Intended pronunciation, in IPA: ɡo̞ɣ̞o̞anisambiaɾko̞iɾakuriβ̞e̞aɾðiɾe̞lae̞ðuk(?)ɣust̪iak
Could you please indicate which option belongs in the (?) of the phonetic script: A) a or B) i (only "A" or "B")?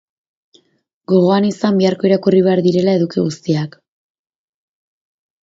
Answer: B